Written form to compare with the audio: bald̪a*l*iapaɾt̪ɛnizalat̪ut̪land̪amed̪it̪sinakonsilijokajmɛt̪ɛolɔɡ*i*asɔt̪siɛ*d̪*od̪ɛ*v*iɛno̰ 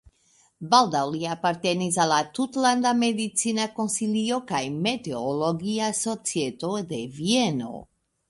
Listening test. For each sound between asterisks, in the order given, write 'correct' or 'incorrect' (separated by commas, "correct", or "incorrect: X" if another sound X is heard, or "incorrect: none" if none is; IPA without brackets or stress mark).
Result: correct, correct, incorrect: t̪, correct